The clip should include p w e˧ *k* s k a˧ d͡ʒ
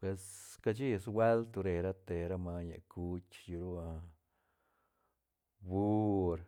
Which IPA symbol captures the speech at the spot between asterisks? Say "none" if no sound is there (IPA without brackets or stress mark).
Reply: none